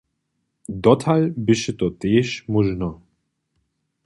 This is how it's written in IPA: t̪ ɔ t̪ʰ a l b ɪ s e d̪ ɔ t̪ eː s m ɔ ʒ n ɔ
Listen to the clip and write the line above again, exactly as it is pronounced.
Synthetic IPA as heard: d̪ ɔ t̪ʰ a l b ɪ ʃ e t̪ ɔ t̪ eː ʃ m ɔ ʒ n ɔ